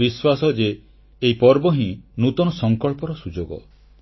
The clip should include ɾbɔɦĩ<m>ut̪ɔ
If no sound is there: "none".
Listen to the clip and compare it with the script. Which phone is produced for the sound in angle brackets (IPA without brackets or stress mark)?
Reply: n